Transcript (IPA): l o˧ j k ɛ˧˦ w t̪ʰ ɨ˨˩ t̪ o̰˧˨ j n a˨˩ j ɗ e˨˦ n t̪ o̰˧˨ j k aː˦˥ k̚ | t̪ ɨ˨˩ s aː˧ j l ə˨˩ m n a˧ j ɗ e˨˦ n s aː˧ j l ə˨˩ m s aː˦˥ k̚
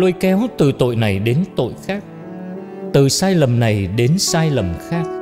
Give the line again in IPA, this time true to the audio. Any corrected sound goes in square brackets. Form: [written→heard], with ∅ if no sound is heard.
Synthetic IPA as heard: l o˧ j k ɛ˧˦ w [t̪ʰ→t̪] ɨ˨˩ t̪ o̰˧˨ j n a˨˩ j ɗ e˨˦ n t̪ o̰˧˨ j [k→x] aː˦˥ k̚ | t̪ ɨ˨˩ s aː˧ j l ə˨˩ m n [a˧→a˨˩] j ɗ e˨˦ n s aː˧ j l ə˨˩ m [s→x] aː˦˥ k̚